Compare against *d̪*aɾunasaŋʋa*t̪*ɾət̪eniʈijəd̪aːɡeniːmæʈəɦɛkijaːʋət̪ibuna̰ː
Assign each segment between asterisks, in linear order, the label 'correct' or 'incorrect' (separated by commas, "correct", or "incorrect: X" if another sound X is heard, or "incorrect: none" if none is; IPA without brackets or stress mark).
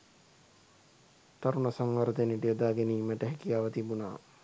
incorrect: t̪, incorrect: none